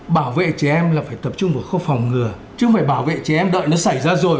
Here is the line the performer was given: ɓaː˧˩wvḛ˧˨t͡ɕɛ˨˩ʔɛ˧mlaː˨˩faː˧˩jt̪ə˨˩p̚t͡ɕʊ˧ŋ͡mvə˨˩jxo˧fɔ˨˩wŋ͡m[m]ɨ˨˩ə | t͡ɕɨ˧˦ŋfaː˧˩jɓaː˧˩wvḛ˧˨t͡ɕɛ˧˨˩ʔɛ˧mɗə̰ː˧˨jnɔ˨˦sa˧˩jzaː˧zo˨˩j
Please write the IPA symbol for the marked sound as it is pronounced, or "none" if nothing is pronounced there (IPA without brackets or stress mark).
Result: ŋ